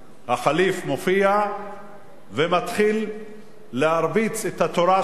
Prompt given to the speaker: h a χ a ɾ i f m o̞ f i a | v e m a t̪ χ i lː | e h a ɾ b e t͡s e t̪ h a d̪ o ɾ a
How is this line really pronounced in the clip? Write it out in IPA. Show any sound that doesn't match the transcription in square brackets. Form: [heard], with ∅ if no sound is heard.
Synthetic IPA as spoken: h a χ a [l] i f m o̞ f i a | v e m a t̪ χ i lː | e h a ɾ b [i] t͡s e t̪ h a [t̪] o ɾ a